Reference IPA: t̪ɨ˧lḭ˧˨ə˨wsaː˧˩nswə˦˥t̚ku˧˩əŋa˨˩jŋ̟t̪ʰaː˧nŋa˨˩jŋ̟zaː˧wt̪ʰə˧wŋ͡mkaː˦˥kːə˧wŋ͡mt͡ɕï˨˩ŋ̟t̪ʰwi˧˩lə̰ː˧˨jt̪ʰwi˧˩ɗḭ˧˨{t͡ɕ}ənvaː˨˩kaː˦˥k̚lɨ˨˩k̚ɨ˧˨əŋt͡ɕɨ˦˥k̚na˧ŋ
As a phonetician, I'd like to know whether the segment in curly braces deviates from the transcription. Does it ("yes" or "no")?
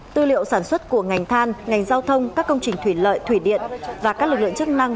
yes